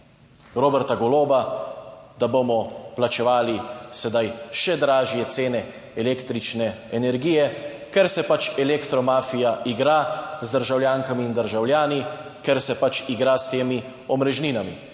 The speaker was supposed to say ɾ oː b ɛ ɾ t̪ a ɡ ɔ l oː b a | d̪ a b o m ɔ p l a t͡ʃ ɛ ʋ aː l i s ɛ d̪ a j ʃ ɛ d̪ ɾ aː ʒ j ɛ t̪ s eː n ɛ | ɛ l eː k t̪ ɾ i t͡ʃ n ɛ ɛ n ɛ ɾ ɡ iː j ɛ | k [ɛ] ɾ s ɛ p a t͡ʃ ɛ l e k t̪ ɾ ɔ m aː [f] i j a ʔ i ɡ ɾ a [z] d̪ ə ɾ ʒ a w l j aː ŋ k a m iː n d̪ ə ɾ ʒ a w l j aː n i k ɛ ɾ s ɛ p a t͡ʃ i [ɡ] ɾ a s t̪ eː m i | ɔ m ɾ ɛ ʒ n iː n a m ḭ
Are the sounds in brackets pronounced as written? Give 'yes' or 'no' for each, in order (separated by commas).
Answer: yes, yes, yes, yes